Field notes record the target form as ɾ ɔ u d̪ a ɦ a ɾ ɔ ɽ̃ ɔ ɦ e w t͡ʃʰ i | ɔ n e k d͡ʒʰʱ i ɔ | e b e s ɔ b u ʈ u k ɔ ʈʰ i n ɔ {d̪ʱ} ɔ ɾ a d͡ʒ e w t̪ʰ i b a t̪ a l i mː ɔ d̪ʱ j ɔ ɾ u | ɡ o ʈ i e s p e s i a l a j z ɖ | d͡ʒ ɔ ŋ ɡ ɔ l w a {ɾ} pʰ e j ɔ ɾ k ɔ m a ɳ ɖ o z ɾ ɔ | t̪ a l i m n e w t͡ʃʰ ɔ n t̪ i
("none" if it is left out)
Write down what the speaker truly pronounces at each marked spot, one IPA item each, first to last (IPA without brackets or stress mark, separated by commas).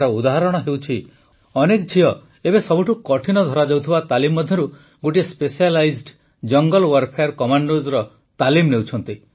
d̪ʱ, ɾ